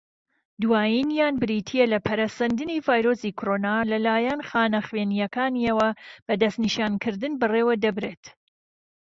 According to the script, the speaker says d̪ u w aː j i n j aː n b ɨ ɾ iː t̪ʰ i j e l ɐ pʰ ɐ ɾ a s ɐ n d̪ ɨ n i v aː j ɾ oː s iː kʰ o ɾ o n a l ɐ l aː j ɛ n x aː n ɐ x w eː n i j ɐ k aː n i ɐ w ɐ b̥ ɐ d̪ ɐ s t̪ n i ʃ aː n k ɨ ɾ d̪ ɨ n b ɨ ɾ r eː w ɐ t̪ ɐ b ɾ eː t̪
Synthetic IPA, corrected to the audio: d̪ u w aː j i n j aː n b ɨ ɾ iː t̪ʰ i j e l ɐ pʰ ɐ ɾ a s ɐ n d̪ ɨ n i v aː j ɾ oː s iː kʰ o ɾ o n a l ɐ l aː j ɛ n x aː n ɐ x w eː n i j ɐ k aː n i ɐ w ɐ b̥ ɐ d̪ ɐ s t̪ n i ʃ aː n k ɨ ɾ d̪ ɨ n b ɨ r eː w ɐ d̪ ɐ b ɾ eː t̪